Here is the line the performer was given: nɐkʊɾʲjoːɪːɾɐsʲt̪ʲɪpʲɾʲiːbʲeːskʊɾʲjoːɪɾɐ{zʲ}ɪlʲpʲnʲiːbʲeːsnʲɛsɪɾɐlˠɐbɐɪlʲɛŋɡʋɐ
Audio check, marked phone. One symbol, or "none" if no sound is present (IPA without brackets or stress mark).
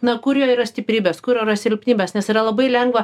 sʲ